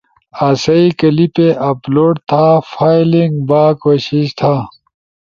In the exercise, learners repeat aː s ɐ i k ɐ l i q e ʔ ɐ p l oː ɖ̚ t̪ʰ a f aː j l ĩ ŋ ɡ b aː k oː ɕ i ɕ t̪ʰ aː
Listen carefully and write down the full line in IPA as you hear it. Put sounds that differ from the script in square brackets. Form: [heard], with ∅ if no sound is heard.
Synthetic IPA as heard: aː s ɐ i k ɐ l i [p] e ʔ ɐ p l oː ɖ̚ t̪ʰ a f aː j l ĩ ŋ ɡ b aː k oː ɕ i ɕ t̪ʰ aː